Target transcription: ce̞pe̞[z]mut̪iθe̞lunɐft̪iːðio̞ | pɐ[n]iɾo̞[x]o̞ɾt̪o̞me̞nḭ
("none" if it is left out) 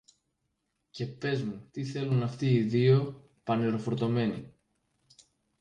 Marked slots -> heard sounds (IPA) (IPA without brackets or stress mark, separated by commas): z, n, f